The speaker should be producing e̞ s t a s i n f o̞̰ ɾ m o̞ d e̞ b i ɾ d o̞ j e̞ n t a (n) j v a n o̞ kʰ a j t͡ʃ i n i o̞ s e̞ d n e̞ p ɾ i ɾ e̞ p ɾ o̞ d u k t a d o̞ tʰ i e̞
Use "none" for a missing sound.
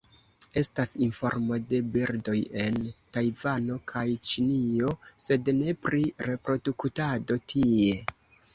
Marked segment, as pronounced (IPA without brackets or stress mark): none